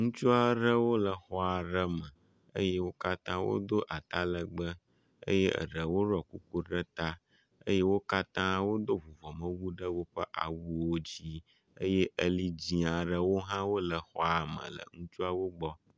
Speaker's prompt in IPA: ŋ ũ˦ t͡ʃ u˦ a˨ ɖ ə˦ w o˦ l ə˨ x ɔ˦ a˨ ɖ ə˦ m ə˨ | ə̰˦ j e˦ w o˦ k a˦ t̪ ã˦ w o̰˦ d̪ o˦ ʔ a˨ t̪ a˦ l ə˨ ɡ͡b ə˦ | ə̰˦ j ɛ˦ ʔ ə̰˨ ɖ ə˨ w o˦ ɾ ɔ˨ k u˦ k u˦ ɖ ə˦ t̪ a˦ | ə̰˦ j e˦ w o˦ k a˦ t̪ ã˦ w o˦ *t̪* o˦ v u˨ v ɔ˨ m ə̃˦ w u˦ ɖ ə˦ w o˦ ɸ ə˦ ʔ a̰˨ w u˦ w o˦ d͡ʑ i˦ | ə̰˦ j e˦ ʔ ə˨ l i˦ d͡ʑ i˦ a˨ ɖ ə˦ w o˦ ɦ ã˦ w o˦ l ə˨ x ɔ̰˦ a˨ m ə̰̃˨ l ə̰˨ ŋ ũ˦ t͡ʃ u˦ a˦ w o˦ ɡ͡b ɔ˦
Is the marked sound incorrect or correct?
incorrect